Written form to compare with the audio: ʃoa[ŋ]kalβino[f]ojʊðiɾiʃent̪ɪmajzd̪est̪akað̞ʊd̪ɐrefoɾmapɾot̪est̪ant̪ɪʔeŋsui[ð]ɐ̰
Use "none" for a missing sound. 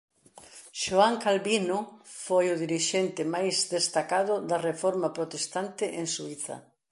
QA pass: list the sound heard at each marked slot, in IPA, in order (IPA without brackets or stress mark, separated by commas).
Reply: ŋ, f, θ